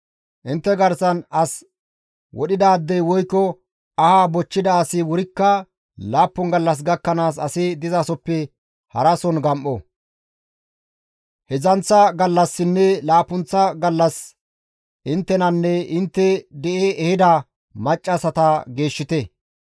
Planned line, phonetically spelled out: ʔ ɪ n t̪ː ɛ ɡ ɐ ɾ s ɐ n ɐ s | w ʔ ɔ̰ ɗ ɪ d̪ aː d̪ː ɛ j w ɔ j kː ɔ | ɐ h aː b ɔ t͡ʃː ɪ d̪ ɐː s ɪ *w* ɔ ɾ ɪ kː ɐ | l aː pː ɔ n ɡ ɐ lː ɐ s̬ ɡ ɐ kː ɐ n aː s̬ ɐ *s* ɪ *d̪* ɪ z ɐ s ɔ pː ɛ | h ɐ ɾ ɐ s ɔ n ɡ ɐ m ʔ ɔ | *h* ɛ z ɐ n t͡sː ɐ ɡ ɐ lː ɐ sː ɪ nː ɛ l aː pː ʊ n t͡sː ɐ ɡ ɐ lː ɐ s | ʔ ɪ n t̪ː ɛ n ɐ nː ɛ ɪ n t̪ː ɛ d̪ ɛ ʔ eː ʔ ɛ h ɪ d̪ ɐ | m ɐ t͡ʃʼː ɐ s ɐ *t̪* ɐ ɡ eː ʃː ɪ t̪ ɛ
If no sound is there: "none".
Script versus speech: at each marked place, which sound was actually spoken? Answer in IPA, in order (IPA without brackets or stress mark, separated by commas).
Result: w, s, d̪, h, t̪